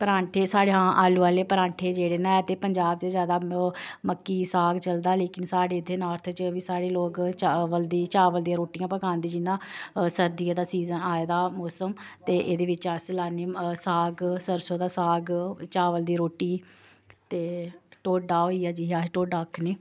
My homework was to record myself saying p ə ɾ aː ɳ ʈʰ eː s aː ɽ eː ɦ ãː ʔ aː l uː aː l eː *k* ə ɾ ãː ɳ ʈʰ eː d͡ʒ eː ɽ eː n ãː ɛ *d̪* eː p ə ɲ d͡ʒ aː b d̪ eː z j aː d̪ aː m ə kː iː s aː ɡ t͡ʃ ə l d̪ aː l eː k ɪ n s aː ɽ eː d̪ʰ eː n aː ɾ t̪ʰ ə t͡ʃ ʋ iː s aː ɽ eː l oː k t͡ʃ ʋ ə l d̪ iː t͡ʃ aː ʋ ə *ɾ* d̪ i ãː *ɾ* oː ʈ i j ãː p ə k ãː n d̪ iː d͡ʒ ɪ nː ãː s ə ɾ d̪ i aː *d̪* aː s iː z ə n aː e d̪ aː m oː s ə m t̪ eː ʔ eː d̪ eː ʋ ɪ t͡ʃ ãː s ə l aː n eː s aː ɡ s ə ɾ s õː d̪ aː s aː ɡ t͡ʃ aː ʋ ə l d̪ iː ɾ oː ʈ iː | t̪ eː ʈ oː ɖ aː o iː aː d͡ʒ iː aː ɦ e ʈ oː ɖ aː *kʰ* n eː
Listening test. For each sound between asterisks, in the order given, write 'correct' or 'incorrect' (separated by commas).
incorrect, incorrect, incorrect, correct, correct, correct